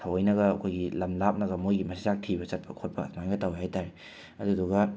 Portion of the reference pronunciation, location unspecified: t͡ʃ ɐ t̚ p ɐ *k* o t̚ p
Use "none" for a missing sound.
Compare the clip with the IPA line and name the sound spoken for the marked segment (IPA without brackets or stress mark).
kʰ